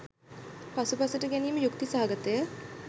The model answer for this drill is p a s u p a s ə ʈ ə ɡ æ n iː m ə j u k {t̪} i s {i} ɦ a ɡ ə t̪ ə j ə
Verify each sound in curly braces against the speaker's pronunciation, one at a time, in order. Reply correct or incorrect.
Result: correct, incorrect: a

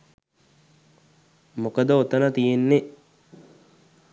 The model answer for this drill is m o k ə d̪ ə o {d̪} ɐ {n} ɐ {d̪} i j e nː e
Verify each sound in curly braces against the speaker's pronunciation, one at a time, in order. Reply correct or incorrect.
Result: incorrect: t̪, correct, incorrect: t̪

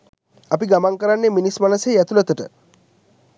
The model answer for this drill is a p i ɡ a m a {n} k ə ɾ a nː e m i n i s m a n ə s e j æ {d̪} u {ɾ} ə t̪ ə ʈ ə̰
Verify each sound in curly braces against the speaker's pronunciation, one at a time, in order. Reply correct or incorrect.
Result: incorrect: ŋ, incorrect: t̪, incorrect: l

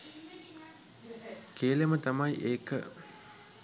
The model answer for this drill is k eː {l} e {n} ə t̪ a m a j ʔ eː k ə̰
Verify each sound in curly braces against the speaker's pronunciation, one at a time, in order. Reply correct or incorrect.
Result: correct, incorrect: m

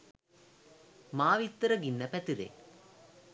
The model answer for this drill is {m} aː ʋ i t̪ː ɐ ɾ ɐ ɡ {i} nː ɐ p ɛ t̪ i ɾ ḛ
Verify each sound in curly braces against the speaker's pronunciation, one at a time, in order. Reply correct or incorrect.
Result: correct, correct

